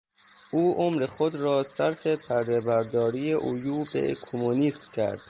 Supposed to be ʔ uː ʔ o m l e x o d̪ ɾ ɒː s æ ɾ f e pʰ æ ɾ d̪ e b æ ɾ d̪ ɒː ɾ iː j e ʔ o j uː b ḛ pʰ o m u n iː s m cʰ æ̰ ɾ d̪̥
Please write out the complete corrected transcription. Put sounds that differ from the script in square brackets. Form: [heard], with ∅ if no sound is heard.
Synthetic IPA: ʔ uː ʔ o m [ɾ] e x o d̪ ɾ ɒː s æ ɾ f e pʰ æ ɾ d̪ e b æ ɾ d̪ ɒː ɾ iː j e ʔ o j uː b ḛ [kʰ] o m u n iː s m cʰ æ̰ ɾ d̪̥